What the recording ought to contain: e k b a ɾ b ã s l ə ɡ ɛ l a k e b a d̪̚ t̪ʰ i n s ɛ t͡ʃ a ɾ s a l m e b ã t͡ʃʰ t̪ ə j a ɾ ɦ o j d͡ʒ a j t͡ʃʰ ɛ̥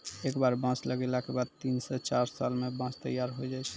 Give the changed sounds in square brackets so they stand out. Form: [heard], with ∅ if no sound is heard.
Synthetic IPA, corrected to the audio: e k b a ɾ b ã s l ə ɡ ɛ l a k e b a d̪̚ [t̪] i n s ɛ t͡ʃ a ɾ s a l m e b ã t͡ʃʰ t̪ ə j a ɾ ɦ o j d͡ʒ a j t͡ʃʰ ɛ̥